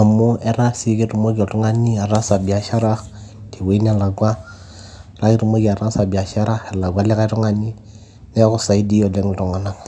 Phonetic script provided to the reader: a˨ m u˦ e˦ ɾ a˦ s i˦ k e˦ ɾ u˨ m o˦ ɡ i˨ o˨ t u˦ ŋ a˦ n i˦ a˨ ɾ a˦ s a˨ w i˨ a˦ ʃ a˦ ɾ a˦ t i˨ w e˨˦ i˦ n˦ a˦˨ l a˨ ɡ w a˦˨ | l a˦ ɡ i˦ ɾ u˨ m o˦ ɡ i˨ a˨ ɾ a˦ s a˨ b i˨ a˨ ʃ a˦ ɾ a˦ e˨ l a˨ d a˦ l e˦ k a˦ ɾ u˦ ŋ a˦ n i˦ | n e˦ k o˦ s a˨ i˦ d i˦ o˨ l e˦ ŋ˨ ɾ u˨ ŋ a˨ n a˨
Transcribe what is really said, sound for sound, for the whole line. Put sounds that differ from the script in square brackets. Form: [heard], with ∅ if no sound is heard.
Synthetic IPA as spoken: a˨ m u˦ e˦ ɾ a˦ s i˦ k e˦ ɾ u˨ m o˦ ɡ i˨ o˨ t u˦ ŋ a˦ n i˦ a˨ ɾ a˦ s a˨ [b] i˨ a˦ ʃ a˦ ɾ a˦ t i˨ w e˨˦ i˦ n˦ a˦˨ l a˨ ɡ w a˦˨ | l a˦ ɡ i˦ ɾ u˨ m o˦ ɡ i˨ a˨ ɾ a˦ s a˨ b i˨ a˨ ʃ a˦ ɾ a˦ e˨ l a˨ [ɡ] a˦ l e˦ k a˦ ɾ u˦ ŋ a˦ n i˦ | n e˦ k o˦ s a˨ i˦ d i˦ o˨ l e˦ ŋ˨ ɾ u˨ ŋ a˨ n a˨